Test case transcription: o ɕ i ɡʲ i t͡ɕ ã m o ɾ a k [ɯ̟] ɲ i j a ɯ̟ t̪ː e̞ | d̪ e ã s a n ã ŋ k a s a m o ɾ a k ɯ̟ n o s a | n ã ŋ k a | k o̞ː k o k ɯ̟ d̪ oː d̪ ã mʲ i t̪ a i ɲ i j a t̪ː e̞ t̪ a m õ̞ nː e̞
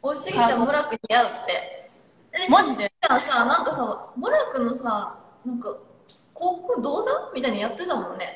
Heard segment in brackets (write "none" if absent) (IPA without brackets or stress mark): ɯ̟